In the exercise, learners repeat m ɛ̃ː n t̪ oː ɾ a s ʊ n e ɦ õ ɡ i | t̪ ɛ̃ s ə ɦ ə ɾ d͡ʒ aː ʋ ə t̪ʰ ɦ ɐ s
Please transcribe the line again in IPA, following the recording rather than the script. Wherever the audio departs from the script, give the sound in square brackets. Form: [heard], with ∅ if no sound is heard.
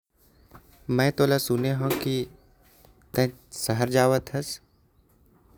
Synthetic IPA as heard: m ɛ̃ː [∅] t̪ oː [l] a s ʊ n e ɦ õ [k] i | t̪ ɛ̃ s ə ɦ ə ɾ d͡ʒ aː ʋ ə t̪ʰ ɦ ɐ s